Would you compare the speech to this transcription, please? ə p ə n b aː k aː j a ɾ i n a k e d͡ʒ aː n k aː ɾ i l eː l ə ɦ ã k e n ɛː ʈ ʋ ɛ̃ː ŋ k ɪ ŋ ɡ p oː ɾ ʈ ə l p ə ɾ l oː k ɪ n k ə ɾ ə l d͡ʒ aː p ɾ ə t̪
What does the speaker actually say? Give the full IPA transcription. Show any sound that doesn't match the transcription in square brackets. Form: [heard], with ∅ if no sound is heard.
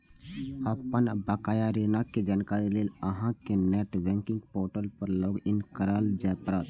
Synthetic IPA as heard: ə p ə n b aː k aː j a ɾ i n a k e d͡ʒ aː n k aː ɾ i l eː l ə ɦ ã k e n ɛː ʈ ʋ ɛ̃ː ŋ k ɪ ŋ ɡ p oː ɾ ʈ ə l p ə ɾ l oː [ɡ] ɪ n k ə ɾ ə l d͡ʒ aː p ɾ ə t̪